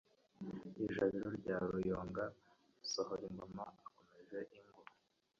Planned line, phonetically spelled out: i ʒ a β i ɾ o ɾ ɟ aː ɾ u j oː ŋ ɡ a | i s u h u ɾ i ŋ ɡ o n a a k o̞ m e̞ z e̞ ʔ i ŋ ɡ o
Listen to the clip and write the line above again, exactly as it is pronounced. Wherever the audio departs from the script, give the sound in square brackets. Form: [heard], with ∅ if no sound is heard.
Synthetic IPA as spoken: i ʒ a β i ɾ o ɾ ɟ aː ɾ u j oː ŋ ɡ a | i s [o] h [o] ɾ i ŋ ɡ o [m] a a k o̞ m e̞ [ʒ] e̞ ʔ i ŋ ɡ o